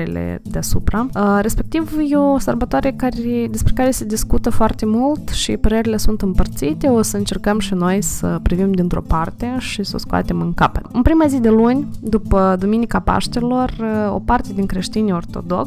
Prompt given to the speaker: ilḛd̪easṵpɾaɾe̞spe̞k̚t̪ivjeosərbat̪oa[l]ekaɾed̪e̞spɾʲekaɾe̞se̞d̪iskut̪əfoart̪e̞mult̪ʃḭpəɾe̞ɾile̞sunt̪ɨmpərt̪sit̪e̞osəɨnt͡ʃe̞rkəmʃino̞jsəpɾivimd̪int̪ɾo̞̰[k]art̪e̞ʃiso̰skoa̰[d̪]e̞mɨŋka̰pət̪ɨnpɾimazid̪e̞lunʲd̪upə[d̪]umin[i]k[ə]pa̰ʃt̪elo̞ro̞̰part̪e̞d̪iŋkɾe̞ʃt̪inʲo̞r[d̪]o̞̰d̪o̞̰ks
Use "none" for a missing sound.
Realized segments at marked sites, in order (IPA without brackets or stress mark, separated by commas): ɾ, p, t̪, d̪, i, a, t̪